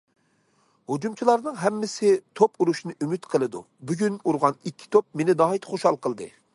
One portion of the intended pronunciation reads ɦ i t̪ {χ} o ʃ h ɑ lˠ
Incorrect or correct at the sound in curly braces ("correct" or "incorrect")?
correct